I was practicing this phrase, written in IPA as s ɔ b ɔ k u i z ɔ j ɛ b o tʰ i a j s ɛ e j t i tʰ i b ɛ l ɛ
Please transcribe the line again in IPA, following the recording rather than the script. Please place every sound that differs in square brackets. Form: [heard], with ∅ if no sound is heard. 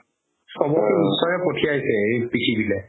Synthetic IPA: s ɔ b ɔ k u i [s] ɔ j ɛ [p] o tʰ i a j s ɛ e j [p] i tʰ i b [i] l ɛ